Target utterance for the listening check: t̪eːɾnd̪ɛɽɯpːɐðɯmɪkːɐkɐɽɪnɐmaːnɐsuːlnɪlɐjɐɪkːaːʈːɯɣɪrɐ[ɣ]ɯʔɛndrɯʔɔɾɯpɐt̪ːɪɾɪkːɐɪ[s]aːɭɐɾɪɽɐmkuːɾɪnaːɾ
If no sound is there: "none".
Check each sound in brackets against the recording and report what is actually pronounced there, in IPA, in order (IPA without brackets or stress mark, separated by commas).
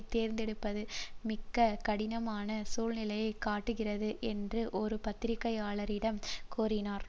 ð, none